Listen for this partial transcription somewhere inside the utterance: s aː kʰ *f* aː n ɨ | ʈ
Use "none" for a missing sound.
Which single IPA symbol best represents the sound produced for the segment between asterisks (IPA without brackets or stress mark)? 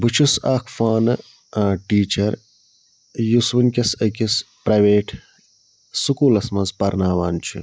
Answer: f